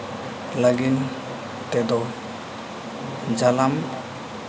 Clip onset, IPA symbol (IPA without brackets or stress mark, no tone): l